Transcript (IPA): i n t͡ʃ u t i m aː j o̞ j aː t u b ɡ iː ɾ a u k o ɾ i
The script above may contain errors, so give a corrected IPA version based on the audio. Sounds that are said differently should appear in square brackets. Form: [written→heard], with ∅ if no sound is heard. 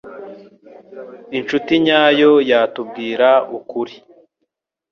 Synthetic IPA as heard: i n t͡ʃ u t i [m→ɲ] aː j o̞ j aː t u b ɡ iː ɾ a u k [o→u] ɾ i